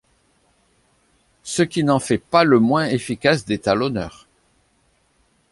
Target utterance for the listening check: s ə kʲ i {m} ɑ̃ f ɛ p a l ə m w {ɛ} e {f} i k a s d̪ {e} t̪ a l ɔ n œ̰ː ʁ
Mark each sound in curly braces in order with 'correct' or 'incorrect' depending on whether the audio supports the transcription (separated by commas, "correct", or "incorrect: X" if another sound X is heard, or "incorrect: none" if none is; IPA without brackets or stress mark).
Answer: incorrect: n, incorrect: ɛ̃, correct, correct